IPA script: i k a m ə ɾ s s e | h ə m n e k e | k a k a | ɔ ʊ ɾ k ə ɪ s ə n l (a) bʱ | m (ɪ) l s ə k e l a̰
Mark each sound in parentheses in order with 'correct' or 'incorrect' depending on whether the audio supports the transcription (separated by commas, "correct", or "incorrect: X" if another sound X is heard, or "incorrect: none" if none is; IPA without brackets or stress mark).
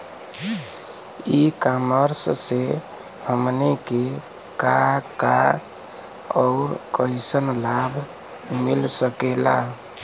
correct, incorrect: i